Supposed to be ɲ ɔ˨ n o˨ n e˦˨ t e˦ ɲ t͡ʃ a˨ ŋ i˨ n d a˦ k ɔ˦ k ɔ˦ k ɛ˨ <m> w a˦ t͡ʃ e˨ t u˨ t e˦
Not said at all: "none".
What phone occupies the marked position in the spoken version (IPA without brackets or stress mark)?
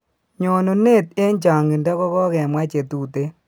m